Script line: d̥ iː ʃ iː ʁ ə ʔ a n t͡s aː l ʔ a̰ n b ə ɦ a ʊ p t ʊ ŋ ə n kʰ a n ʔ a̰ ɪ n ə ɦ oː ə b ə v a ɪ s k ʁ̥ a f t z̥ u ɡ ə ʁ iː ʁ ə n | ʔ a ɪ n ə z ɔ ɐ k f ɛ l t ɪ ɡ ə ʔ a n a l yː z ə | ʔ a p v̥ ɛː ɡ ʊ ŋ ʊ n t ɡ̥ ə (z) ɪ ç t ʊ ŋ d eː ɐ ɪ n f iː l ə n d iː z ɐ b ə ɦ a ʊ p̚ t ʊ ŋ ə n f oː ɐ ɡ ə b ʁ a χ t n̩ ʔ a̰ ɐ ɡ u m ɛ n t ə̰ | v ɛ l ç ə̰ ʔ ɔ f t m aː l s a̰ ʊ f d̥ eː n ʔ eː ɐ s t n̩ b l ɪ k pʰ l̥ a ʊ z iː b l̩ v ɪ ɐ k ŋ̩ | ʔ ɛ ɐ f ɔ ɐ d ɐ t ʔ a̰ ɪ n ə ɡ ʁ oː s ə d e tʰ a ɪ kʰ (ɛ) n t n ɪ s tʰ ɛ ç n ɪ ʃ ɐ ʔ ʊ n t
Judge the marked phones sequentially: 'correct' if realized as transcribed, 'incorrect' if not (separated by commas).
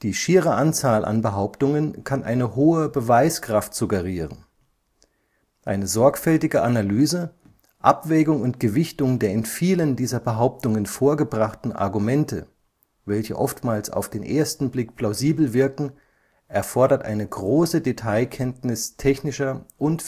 incorrect, correct